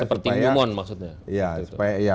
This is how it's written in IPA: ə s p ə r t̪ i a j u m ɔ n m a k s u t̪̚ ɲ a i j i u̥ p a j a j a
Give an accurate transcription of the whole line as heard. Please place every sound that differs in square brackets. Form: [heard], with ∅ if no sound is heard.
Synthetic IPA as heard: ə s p ə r t̪ i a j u m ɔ n m a k s u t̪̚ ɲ a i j [a] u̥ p a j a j a